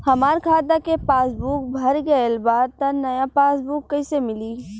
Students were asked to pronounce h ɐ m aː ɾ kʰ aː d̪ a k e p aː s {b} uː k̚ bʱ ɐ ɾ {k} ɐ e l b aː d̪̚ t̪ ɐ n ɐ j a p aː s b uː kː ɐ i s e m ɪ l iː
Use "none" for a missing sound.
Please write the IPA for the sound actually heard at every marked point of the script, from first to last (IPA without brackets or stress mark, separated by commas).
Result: b, ɡ